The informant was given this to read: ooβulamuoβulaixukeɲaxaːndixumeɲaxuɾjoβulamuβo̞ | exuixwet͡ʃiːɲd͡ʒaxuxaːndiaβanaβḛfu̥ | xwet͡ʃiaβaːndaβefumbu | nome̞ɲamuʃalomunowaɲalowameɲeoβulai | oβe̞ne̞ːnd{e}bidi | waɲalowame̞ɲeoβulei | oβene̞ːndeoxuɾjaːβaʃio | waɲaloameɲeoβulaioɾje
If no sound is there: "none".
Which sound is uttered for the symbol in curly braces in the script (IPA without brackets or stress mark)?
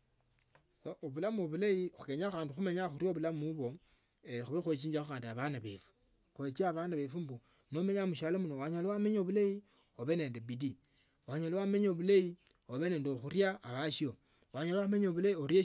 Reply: e